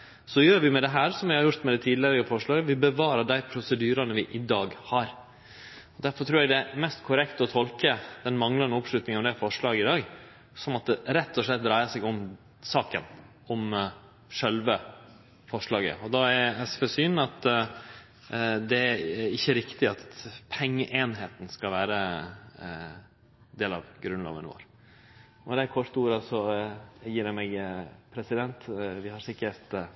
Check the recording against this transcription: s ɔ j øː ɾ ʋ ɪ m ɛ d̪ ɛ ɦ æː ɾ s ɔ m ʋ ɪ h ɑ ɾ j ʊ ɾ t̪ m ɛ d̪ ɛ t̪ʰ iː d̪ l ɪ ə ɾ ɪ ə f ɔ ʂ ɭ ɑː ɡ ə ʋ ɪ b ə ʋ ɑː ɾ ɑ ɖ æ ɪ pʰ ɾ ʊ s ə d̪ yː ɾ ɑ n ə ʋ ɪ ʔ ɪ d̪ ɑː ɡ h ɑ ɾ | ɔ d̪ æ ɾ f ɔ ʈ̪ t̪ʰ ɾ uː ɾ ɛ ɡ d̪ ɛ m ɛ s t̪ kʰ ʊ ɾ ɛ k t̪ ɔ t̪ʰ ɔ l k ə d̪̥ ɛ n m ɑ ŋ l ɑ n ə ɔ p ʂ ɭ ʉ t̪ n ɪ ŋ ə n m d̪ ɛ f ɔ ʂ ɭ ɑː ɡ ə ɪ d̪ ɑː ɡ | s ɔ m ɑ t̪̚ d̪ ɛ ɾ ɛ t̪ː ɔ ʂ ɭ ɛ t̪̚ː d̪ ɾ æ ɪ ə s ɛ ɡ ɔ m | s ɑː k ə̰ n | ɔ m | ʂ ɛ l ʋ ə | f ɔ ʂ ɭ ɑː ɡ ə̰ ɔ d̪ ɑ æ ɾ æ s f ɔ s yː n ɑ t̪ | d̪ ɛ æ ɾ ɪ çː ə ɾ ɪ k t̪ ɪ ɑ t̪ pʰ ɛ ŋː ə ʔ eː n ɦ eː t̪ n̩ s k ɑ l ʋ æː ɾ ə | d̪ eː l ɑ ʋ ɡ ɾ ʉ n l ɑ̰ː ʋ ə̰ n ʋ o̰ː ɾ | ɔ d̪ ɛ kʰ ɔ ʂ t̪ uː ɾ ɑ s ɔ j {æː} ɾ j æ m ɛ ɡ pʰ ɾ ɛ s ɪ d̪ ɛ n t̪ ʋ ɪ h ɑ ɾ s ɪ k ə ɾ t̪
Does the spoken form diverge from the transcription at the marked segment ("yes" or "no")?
yes